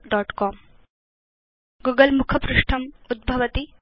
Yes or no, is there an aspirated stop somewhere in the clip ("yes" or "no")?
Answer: yes